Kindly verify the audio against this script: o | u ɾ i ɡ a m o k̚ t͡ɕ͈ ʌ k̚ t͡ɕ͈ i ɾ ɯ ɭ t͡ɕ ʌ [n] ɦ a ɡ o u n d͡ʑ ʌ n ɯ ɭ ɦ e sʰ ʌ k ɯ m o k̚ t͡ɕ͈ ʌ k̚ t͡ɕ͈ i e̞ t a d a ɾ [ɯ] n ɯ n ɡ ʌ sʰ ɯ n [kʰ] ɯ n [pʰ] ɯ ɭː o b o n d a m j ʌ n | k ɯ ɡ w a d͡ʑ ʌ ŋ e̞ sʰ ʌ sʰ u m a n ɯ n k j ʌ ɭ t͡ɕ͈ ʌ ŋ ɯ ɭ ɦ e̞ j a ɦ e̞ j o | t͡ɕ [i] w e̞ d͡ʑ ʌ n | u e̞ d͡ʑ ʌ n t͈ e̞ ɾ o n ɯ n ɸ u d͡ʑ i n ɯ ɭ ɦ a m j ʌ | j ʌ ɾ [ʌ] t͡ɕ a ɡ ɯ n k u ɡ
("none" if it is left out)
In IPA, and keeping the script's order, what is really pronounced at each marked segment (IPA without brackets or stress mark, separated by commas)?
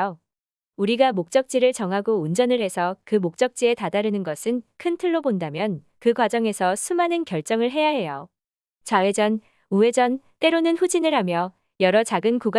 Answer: ŋ, ɯ, kʰ, tʰ, a, ʌ